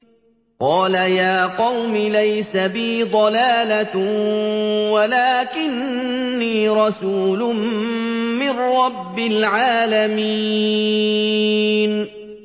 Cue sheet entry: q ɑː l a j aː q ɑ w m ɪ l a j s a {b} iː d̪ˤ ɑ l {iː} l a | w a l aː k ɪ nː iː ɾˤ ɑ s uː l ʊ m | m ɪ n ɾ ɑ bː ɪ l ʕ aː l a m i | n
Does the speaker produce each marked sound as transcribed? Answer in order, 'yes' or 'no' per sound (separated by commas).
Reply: yes, no